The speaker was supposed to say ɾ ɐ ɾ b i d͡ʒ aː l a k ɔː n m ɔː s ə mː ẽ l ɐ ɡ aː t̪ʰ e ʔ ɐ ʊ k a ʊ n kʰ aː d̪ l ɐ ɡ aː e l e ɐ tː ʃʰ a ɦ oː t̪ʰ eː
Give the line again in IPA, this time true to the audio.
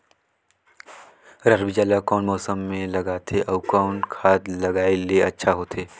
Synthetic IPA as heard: ɾ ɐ ɾ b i d͡ʒ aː l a k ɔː n m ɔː s ə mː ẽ l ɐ ɡ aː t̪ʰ e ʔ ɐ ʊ k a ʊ n kʰ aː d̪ l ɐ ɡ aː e l e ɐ tː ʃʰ a ɦ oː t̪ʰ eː